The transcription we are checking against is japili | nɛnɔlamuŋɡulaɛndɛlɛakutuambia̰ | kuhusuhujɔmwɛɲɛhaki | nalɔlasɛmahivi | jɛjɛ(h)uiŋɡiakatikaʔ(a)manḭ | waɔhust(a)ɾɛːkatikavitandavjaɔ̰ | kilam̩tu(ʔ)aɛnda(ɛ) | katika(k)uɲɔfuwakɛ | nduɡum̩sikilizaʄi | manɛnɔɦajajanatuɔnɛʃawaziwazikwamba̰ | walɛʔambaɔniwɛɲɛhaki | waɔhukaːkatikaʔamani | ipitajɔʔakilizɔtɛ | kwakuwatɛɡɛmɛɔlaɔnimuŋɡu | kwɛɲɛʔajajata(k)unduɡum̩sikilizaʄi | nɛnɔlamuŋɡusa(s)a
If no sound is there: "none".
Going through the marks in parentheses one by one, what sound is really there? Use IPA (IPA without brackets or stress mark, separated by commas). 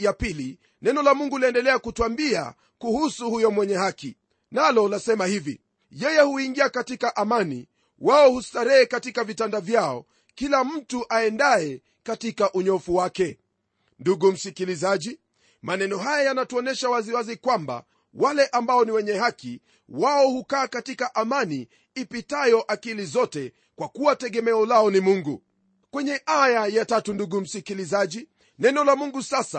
h, a, a, ʔ, ɛ, ʔ, t, s